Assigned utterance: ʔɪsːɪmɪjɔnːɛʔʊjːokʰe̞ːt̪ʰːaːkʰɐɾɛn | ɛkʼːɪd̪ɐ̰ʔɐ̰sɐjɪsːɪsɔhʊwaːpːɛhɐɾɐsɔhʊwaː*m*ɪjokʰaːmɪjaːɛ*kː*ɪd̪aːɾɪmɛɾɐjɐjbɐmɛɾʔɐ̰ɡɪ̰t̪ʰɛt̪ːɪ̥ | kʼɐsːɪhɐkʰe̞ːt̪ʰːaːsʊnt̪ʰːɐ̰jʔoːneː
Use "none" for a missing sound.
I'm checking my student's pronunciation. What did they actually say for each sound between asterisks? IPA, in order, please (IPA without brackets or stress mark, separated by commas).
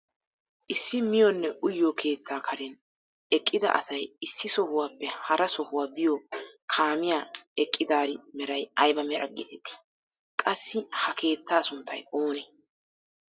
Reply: b, kʼː